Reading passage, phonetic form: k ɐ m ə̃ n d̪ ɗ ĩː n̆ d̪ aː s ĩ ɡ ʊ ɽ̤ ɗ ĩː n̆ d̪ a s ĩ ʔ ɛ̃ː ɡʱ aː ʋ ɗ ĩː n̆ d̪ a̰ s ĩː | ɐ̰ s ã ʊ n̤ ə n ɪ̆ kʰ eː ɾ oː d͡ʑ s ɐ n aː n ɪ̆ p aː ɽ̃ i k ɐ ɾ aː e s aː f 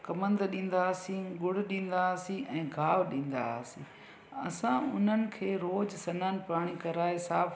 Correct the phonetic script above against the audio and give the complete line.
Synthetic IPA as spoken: k ɐ m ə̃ n d̪ ɗ ĩː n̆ d̪ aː s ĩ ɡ ʊ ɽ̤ ɗ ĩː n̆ d̪ a s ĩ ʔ ɛ̃ː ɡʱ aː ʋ ɗ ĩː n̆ d̪ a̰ s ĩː | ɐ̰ s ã ʊ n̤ ə n ɪ̆ kʰ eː ɾ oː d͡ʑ s ɐ n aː n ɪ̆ p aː ɽ̃ i k ɐ ɾ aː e s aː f